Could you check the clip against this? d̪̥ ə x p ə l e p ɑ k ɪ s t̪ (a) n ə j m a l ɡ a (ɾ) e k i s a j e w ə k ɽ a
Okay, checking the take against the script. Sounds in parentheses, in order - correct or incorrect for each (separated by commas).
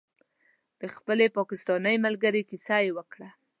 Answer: incorrect, correct